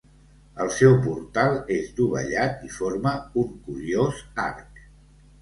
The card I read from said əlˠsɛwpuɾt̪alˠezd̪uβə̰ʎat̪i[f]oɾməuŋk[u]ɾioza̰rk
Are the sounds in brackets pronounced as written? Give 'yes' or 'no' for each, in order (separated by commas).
yes, yes